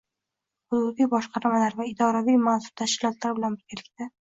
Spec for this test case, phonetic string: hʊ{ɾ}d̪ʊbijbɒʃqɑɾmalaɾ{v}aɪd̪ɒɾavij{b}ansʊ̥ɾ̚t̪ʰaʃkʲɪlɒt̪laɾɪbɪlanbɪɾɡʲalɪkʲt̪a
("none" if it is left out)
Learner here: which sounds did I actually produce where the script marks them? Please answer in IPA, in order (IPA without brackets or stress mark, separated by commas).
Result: none, v, m